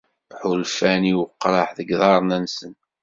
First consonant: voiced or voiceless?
voiceless